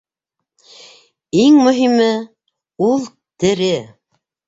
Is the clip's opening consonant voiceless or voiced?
voiced